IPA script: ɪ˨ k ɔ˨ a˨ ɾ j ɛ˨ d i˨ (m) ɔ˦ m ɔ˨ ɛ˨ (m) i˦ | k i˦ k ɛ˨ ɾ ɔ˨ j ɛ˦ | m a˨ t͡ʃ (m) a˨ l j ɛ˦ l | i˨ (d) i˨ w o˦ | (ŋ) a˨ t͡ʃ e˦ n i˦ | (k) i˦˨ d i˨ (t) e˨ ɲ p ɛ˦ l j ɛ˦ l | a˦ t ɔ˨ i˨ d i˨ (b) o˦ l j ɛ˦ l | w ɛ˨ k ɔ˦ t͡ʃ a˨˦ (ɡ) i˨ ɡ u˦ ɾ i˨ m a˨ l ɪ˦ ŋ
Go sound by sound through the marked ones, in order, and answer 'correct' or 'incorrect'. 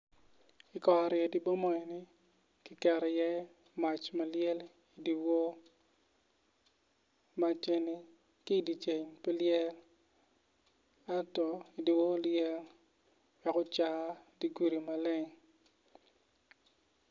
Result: incorrect, incorrect, correct, correct, incorrect, correct, incorrect, incorrect, incorrect

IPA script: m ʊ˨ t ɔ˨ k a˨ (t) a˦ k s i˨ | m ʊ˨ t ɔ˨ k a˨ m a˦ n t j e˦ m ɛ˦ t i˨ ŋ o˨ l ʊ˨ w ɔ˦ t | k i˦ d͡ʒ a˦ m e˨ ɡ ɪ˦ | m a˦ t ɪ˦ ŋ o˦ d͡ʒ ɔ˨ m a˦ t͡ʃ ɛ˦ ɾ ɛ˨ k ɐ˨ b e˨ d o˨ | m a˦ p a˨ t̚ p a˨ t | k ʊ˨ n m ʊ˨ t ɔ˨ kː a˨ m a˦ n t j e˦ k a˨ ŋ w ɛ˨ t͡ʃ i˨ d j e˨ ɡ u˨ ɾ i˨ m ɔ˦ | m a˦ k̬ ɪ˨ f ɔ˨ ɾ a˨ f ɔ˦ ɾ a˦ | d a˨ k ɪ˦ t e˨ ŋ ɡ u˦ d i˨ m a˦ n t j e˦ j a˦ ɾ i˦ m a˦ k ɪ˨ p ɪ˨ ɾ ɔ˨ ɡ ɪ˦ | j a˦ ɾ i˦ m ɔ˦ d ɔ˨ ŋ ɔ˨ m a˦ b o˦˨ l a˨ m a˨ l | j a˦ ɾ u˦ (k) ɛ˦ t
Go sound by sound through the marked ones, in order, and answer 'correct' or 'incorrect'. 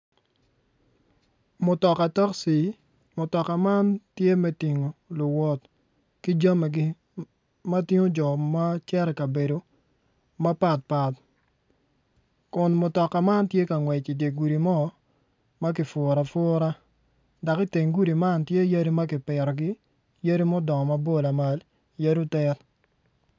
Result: correct, incorrect

